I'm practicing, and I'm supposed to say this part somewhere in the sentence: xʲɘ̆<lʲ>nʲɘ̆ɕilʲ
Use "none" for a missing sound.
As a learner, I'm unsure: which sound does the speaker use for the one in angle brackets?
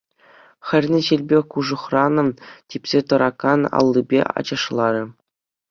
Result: rʲ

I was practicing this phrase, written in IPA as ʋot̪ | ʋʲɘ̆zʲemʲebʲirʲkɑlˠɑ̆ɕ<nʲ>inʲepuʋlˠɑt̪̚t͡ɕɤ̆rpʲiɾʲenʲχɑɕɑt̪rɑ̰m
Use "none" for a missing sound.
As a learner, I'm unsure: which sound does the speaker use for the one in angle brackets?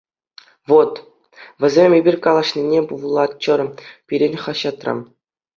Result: nʲ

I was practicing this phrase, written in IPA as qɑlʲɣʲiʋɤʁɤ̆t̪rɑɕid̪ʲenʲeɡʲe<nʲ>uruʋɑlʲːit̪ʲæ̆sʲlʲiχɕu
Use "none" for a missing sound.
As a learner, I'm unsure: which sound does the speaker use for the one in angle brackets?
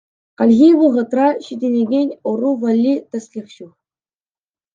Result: nʲ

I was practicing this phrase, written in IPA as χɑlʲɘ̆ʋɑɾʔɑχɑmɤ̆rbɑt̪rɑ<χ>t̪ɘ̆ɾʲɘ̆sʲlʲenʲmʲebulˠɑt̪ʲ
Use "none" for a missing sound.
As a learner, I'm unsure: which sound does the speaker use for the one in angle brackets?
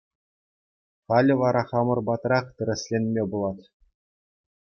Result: χ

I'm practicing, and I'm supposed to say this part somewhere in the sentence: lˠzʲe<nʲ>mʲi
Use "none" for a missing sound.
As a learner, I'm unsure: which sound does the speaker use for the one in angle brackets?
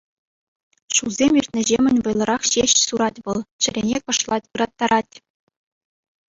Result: none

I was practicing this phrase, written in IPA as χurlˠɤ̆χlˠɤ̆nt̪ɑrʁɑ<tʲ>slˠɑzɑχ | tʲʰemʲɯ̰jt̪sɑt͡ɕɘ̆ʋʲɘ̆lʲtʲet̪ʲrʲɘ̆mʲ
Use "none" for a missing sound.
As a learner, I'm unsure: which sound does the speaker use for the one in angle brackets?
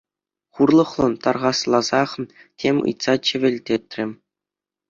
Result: none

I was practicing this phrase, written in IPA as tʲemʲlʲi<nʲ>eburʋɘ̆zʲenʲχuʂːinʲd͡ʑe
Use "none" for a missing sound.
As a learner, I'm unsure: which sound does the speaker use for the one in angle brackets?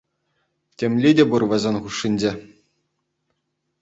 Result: dʲ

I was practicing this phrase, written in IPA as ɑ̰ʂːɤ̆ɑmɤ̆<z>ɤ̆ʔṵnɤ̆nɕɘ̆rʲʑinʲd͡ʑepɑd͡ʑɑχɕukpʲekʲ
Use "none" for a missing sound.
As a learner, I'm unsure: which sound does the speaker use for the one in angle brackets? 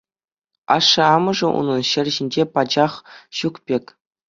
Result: ʐ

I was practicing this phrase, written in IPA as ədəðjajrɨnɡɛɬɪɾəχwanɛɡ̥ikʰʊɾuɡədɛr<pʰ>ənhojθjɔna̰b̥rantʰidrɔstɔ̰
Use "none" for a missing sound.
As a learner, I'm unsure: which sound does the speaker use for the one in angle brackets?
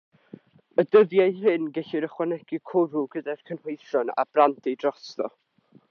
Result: kʰ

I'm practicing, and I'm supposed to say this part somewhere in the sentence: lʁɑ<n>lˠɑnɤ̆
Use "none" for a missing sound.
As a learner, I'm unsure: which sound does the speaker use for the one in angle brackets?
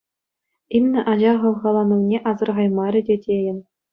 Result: none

